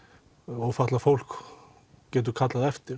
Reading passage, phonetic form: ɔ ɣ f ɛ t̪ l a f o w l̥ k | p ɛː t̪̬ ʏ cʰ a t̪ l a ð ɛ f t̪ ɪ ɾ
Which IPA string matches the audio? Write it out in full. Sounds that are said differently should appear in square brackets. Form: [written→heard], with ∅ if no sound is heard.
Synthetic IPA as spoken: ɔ ɣ f [ɛ→a] t̪ l a f o w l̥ k | [p→c] ɛː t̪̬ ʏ [cʰ→kʰ] a t̪ l a ð ɛ f t̪ ɪ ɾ